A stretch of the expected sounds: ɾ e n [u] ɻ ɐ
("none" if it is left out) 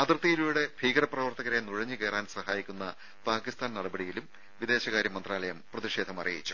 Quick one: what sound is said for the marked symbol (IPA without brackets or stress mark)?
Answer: u